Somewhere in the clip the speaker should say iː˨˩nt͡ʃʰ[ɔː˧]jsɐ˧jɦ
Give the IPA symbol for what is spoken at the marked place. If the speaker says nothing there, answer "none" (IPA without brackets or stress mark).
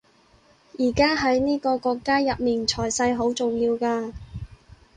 ɔː˨˩